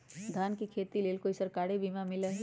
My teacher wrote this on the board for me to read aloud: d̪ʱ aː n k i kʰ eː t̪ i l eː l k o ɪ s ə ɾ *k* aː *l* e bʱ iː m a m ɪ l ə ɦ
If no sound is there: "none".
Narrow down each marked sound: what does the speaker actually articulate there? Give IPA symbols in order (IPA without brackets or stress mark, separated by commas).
k, ɽ